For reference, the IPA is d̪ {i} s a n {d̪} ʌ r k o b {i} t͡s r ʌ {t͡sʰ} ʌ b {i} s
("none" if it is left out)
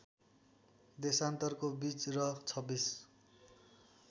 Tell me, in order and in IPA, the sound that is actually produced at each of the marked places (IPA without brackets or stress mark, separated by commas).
e, t̪, i, t͡sʰ, i